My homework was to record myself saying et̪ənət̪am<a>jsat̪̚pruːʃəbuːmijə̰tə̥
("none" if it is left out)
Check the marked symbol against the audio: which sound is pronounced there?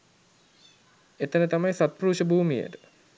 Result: a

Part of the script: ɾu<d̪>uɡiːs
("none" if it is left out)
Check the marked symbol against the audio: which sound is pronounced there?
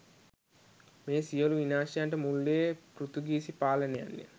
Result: t̪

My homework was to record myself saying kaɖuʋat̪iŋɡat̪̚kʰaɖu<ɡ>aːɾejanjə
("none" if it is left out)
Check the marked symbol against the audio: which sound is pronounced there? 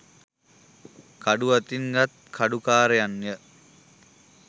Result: k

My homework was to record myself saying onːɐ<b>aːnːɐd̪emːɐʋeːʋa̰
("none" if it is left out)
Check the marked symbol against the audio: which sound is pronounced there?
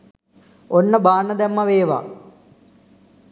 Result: b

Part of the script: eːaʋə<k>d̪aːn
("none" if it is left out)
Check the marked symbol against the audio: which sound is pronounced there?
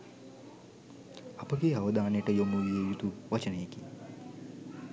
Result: none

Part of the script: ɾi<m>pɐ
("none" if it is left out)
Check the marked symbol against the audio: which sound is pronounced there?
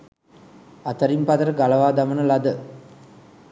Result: m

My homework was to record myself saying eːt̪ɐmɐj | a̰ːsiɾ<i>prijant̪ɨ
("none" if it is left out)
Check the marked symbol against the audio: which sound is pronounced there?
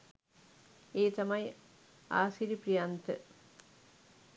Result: i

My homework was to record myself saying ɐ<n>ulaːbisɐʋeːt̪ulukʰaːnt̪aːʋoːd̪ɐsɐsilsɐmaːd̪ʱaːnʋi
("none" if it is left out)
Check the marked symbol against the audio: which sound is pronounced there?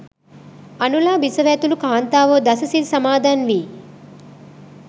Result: n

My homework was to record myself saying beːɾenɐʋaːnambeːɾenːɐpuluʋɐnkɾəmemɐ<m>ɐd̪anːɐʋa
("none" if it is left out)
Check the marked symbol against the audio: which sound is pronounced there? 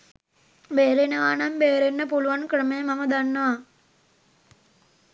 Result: m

